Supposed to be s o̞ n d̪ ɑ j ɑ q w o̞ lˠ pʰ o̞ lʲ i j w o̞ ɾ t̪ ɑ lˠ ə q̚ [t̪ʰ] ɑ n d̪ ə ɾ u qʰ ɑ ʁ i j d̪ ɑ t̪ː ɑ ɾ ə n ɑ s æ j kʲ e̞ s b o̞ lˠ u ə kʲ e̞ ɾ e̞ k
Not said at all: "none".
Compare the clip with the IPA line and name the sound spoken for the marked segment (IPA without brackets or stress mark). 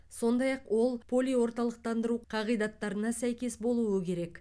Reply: t̪